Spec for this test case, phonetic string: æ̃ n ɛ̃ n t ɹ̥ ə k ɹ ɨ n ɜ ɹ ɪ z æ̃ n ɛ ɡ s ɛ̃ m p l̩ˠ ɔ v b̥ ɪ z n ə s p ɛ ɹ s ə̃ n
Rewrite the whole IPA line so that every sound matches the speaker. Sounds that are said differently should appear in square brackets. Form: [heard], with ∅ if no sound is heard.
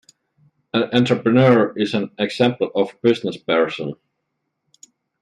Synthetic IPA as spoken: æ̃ n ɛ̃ n t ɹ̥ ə [p] ɹ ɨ n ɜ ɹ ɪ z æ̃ n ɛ ɡ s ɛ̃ m p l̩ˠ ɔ v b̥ ɪ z n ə s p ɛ ɹ s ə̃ n